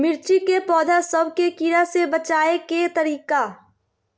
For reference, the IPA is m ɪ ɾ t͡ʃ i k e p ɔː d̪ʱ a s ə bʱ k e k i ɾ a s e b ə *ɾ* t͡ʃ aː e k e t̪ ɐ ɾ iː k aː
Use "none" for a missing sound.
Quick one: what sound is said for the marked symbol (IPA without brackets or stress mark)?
none